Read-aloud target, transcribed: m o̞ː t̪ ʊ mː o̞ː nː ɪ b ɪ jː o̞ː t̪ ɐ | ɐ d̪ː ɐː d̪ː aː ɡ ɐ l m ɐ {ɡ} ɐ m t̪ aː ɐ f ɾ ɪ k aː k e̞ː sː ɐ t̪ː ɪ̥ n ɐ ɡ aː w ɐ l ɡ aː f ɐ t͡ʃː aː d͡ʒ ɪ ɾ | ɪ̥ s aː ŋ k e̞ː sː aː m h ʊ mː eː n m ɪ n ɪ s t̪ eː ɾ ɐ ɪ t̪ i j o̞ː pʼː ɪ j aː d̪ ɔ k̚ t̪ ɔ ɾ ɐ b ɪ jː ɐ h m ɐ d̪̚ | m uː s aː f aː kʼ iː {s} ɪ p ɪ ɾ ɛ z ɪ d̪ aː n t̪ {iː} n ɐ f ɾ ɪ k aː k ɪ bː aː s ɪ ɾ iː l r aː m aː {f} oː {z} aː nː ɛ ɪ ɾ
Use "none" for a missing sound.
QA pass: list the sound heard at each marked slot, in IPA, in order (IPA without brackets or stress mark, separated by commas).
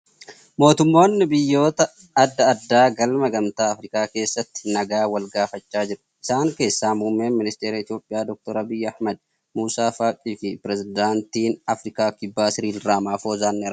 ɡ, f, iː, f, z